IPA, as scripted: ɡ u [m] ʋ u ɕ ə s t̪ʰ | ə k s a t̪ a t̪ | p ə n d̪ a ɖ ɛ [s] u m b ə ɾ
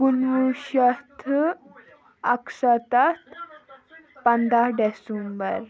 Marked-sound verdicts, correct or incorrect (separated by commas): incorrect, correct